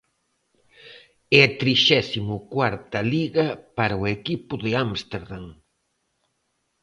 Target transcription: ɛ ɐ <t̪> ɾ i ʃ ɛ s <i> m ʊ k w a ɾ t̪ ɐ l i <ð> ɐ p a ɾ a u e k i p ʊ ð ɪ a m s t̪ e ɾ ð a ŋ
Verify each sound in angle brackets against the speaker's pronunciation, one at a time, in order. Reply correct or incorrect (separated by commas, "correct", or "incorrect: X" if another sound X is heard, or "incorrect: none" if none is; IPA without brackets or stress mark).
correct, correct, incorrect: ɣ